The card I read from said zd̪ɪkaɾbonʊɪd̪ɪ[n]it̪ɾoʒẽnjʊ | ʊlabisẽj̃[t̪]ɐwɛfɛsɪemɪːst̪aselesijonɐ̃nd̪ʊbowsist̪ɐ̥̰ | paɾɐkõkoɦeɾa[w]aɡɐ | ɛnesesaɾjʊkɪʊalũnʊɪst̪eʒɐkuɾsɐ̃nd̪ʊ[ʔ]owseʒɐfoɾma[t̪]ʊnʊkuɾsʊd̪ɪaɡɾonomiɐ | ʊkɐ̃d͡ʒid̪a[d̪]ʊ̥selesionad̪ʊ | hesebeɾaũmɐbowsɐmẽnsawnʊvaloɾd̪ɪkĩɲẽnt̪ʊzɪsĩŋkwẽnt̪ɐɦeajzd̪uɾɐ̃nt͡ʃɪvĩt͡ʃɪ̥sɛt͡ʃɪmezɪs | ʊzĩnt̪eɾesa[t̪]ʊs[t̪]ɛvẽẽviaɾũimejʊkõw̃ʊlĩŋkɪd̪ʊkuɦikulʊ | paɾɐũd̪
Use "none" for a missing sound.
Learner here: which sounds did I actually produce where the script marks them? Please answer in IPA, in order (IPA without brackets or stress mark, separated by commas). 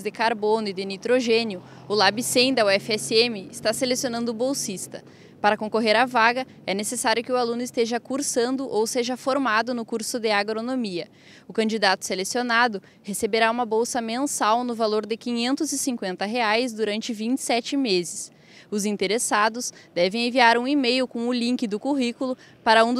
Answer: n, d̪, v, ʔ, d̪, t̪, d̪, d̪